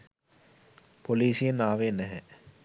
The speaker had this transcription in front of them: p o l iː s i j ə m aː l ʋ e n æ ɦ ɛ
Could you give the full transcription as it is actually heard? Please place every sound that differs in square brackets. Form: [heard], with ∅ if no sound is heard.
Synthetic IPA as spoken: p o l iː s i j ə [n] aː [∅] ʋ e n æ ɦ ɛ